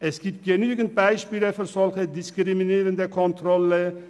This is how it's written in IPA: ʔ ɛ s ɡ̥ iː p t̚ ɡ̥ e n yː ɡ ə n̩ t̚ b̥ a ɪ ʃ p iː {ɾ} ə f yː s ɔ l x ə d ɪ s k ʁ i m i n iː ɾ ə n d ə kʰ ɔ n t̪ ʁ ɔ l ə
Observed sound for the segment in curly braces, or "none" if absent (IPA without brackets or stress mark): l